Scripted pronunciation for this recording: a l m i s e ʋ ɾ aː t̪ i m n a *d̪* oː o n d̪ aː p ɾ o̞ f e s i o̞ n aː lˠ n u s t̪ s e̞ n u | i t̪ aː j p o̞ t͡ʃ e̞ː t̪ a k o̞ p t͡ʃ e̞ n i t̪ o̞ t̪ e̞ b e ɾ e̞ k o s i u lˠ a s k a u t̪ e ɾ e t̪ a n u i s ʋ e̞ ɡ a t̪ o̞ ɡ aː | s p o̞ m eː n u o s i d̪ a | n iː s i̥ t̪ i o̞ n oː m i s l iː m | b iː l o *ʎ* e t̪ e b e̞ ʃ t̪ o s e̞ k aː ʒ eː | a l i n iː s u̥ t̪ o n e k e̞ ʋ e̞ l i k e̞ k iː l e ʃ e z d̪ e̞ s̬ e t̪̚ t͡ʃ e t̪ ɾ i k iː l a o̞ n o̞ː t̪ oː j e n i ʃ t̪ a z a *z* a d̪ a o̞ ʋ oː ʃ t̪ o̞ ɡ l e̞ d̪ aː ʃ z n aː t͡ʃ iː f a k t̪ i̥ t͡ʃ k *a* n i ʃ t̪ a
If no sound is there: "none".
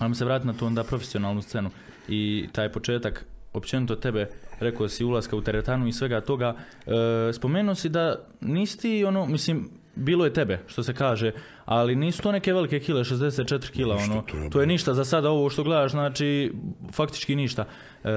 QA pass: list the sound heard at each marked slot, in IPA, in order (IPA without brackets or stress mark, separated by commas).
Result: t̪, j, s, i